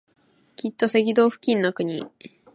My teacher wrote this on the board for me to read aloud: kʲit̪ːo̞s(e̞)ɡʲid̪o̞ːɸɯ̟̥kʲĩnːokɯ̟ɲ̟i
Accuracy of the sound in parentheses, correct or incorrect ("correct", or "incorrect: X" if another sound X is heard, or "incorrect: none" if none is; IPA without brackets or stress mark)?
correct